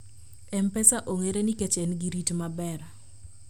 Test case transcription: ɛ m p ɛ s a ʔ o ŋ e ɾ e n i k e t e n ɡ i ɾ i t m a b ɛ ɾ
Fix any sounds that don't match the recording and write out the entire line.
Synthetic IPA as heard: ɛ m p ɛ s a ʔ o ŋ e ɾ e n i k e t͡ʃ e n ɡ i ɾ i t m a b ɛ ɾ